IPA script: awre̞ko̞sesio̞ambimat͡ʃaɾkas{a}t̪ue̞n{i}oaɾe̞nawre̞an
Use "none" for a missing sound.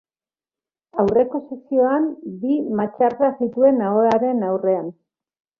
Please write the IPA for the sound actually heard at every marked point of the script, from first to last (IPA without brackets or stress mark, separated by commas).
i, a